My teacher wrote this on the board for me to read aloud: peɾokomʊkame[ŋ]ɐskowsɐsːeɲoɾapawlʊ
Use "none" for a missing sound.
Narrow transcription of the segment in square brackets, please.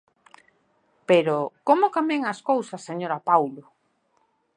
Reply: ŋ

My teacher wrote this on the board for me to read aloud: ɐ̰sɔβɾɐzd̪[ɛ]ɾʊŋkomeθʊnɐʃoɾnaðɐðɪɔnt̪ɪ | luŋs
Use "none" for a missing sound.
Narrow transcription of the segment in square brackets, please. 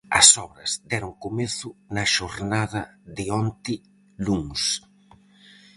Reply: ɛ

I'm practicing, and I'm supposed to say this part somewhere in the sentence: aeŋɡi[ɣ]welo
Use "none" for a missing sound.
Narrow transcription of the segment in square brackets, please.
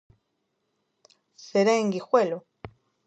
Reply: x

